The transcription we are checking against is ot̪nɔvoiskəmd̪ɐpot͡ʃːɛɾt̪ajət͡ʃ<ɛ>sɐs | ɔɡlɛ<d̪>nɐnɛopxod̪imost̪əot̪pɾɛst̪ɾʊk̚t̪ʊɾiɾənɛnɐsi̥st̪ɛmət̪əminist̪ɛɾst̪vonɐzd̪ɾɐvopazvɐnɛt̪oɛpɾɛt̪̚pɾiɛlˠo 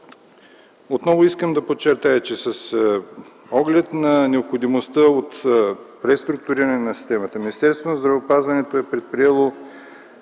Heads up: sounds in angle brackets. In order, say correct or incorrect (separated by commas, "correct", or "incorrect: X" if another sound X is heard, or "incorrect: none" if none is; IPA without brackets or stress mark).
correct, incorrect: t̪